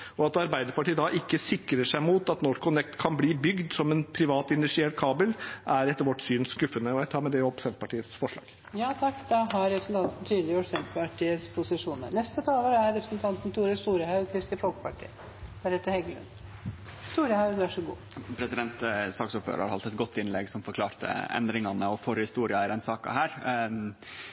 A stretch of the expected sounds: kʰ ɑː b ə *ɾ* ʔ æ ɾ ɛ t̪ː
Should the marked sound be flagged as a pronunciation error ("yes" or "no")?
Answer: yes